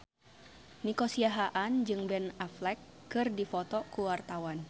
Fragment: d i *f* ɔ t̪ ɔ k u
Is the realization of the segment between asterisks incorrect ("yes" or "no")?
no